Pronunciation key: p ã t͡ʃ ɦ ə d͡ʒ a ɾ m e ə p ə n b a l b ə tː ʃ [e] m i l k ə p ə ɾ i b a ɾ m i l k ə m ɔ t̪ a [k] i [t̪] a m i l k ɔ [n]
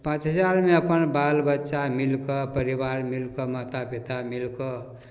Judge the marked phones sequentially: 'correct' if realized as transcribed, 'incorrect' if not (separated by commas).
incorrect, incorrect, correct, incorrect